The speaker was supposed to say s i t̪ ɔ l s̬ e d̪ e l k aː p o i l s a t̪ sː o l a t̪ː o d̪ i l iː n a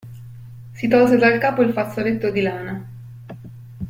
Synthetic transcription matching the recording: s i t̪ ɔ l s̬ e d̪ a l k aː p o i l f a t̪ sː o l e t̪ː o d̪ i l aː n a